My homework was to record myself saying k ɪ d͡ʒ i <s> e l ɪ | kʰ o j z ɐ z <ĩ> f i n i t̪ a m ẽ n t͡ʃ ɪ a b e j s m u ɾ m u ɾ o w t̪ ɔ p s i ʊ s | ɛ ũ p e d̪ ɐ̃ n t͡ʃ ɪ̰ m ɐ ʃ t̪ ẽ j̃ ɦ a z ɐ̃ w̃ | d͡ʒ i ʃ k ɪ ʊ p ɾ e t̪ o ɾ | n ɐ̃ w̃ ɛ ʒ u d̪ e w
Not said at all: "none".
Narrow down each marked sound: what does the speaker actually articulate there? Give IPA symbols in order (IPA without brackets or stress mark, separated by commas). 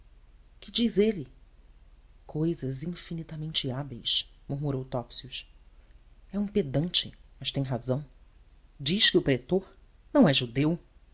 z, ĩ